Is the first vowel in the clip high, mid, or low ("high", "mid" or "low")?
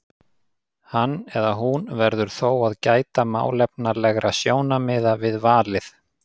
low